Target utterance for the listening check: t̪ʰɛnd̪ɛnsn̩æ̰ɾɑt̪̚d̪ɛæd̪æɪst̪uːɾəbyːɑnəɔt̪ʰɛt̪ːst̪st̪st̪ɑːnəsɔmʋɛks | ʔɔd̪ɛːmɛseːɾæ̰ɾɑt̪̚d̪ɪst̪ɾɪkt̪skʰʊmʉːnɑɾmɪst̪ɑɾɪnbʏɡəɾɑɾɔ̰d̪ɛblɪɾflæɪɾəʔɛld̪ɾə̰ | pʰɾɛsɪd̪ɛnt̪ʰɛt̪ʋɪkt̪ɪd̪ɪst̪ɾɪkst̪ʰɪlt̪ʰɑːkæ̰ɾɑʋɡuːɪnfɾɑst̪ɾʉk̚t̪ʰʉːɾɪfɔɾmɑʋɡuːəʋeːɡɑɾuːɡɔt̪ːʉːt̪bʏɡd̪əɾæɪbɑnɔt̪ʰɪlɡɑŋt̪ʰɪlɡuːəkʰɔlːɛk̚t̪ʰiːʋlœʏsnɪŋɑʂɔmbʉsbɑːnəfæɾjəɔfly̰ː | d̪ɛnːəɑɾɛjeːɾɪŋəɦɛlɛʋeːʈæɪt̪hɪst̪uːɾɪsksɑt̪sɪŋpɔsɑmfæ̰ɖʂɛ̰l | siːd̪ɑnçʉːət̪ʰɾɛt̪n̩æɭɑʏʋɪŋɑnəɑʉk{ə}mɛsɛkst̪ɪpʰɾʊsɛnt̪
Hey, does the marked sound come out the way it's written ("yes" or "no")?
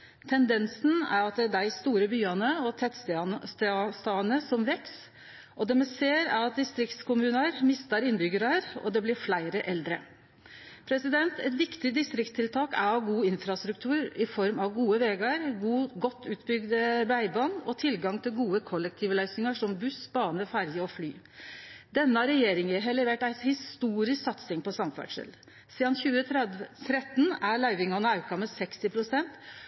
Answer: no